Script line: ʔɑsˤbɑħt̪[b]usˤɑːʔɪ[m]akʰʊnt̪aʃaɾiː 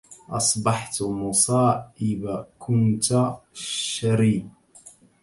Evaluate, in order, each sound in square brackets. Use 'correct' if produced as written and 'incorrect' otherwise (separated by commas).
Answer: incorrect, incorrect